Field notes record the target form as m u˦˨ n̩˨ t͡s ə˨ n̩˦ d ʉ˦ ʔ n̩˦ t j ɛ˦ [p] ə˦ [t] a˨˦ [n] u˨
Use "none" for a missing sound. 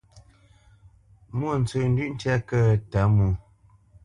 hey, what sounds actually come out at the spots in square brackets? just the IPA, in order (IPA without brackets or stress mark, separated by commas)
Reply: k, t, m